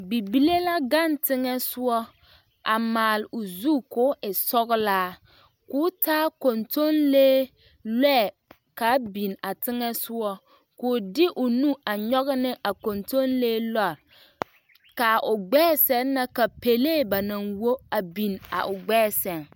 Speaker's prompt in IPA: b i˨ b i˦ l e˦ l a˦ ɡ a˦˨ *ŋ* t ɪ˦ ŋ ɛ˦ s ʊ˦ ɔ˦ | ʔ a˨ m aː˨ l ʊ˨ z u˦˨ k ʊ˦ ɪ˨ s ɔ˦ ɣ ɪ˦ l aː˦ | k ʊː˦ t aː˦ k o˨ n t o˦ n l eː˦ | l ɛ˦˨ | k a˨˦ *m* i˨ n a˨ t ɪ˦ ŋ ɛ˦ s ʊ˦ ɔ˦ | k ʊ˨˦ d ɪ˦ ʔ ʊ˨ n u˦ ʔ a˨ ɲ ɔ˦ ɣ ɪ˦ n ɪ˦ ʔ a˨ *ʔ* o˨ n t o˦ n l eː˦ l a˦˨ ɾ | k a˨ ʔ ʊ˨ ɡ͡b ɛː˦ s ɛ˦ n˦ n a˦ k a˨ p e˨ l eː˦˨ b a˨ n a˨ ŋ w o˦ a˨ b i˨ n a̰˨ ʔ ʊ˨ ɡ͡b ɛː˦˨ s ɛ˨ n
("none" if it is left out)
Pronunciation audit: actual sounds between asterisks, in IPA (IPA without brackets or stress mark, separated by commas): n, b, k